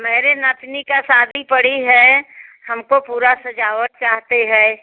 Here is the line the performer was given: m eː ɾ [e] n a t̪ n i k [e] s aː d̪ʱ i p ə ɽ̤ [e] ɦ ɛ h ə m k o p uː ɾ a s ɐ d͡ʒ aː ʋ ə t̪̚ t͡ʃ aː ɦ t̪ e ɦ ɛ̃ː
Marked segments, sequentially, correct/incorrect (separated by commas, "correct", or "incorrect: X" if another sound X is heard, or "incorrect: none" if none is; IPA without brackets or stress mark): correct, incorrect: a, incorrect: i